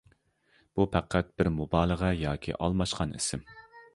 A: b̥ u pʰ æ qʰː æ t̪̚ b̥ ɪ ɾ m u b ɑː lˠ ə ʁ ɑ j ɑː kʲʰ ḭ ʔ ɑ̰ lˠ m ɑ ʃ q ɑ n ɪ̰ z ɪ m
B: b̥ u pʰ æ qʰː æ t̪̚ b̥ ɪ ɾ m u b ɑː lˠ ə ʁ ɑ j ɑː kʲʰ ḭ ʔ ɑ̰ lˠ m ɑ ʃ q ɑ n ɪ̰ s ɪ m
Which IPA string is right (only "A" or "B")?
B